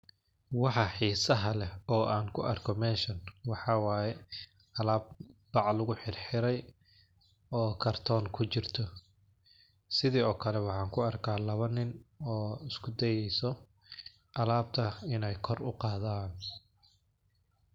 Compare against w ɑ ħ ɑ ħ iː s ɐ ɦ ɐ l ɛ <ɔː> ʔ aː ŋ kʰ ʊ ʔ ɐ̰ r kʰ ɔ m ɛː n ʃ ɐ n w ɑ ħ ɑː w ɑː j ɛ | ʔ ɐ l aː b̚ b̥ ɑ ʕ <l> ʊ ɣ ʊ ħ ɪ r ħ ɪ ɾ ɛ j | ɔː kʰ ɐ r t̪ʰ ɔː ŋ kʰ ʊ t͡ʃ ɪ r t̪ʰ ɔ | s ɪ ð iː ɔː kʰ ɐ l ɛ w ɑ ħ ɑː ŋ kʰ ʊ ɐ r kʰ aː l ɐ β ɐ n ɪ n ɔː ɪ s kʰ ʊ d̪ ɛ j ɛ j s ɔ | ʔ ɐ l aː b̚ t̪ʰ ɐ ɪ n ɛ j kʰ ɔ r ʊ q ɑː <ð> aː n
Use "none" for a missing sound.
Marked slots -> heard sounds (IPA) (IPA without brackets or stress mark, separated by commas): ɔː, l, ð